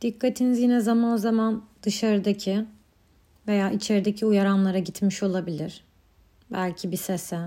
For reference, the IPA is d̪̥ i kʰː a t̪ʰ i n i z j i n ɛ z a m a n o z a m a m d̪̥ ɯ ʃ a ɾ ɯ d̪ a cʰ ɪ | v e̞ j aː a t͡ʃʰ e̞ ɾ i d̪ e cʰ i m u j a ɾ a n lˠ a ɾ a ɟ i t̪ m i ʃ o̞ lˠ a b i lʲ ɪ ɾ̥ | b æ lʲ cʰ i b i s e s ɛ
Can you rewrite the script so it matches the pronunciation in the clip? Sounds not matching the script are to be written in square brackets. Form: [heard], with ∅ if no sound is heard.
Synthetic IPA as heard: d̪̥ i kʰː a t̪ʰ i n i z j i n ɛ z a m a n o z a m a [n] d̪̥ ɯ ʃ a ɾ ɯ d̪ a cʰ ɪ | v e̞ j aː [i] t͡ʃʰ e̞ ɾ i d̪ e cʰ i [∅] u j a ɾ a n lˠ a ɾ a ɟ i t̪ m i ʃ o̞ lˠ a b i lʲ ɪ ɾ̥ | b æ lʲ cʰ i b i s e s ɛ